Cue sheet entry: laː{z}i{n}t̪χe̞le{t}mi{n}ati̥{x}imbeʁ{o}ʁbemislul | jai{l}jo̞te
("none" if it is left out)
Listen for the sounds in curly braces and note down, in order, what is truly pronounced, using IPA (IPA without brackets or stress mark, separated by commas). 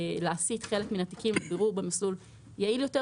s, none, k, n, k, u, l